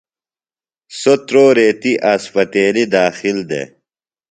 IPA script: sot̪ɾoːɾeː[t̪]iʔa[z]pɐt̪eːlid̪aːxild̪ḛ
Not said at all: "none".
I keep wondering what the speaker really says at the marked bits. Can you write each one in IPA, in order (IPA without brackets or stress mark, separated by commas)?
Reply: t̪, s